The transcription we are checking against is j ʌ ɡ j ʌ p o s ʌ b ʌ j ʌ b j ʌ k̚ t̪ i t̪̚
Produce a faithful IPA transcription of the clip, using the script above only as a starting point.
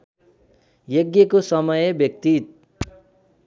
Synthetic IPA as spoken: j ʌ ɡ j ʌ k o s ʌ m ʌ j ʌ b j ʌ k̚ t̪ i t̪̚